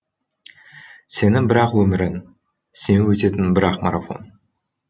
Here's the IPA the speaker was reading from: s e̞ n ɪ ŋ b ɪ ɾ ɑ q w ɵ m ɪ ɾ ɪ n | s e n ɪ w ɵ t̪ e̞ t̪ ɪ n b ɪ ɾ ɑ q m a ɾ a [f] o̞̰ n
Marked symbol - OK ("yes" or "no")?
yes